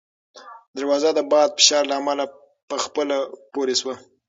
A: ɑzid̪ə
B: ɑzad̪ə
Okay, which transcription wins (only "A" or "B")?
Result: B